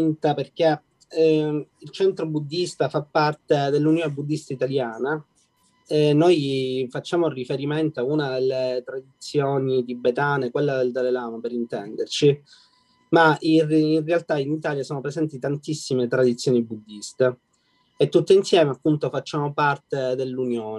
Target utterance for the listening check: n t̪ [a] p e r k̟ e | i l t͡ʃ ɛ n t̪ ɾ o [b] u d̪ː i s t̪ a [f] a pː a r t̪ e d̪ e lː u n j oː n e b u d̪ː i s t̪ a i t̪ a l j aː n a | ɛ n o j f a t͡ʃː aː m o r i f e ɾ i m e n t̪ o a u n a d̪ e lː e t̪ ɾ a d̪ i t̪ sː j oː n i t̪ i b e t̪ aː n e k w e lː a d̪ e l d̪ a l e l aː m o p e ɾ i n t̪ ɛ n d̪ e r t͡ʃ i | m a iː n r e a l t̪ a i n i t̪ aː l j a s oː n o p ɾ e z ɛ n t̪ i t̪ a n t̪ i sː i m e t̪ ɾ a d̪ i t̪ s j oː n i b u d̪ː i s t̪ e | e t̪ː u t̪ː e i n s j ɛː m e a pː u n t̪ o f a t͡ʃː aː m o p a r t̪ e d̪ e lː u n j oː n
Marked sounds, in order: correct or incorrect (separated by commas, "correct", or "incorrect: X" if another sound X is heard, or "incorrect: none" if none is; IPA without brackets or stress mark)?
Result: correct, correct, correct